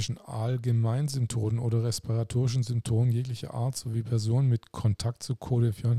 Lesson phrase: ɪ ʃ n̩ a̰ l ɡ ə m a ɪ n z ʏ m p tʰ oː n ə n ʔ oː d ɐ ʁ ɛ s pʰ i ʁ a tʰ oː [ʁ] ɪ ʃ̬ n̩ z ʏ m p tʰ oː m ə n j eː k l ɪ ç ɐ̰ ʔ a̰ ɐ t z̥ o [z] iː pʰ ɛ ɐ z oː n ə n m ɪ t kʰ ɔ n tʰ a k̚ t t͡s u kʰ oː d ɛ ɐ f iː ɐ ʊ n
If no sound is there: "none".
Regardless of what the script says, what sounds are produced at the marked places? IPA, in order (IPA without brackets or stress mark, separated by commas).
ʁ, v